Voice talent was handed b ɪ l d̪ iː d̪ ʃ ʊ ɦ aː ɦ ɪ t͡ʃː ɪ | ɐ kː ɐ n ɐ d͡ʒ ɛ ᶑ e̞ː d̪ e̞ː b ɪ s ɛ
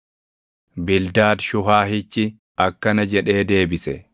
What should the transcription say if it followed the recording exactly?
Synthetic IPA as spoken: b ɪ l d̪ aː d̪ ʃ ʊ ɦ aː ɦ ɪ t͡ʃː ɪ | ɐ kː ɐ n ɐ d͡ʒ ɛ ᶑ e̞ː d̪ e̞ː b ɪ s ɛ